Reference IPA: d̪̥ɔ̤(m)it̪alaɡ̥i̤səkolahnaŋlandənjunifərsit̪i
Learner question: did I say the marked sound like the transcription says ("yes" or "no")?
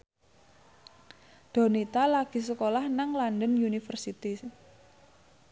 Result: no